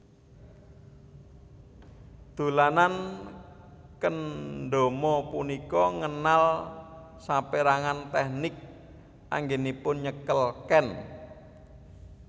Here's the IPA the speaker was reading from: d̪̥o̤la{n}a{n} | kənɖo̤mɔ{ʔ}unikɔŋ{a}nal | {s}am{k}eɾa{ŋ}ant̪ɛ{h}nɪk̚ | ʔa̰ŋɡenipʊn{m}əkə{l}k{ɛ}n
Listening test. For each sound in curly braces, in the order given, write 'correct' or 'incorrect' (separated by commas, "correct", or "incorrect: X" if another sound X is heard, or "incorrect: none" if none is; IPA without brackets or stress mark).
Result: correct, correct, incorrect: p, incorrect: ə, correct, incorrect: p, correct, correct, incorrect: ɲ, correct, correct